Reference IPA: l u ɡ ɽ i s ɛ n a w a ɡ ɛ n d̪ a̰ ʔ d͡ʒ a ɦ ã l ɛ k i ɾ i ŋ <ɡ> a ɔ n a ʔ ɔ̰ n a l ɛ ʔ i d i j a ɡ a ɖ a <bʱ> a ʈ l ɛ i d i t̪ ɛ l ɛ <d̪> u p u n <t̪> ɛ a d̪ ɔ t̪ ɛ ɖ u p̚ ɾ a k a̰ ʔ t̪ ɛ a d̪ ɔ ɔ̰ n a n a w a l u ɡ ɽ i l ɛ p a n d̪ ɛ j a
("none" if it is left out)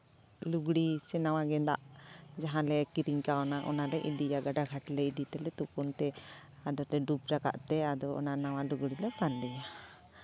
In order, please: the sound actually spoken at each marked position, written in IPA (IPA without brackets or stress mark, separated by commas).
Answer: k, ɡʱ, t̪, t̪